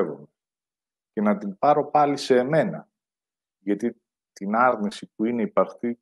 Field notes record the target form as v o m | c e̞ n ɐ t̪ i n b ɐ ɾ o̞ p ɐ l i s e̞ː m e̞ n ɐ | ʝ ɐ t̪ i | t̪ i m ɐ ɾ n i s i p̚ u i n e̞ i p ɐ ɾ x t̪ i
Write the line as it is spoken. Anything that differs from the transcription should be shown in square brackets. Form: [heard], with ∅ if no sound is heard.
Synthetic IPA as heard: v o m | c e̞ n ɐ t̪ i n [p] ɐ ɾ o̞ p ɐ l i s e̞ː m e̞ n ɐ | ʝ ɐ t̪ i | t̪ i [n] ɐ ɾ n i s i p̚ u i n e̞ i p ɐ ɾ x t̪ i